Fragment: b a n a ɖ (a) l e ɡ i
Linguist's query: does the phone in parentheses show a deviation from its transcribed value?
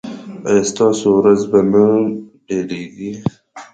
yes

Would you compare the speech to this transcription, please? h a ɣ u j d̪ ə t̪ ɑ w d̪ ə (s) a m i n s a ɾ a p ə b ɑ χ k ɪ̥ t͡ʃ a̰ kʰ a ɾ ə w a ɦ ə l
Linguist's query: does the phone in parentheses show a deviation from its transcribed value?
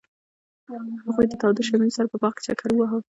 yes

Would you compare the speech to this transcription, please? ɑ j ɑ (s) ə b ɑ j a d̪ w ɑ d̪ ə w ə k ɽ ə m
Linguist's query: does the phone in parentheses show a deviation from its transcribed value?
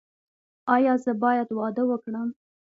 yes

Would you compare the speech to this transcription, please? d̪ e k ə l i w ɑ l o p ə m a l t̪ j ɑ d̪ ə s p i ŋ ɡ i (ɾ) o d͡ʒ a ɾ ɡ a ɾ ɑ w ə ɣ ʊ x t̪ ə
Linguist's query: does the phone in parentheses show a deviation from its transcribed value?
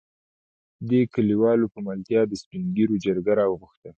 no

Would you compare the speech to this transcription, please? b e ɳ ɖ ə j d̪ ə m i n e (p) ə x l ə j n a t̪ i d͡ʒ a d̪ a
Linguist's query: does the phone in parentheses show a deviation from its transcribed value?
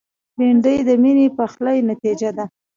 no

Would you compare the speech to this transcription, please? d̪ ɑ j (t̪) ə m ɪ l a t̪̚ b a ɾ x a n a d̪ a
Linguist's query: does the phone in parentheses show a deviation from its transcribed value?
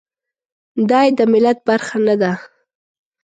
yes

